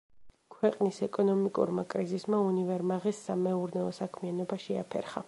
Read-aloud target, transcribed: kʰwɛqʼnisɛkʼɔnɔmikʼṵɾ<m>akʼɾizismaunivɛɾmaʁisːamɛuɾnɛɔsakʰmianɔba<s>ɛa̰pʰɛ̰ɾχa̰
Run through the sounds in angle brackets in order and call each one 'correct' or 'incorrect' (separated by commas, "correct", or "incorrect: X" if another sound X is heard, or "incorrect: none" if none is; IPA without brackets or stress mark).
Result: correct, incorrect: ʃ